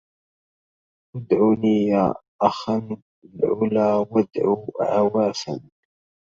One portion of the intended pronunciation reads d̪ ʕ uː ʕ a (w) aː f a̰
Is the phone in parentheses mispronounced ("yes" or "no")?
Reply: no